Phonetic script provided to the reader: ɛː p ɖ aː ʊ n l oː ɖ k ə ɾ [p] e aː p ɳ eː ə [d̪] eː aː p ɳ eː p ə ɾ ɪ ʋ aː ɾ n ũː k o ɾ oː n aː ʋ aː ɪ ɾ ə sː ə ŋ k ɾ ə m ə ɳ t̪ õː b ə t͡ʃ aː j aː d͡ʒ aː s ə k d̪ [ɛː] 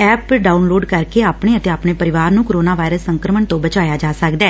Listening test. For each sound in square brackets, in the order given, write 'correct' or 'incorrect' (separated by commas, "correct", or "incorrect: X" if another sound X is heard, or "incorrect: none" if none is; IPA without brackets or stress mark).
incorrect: k, incorrect: t̪, correct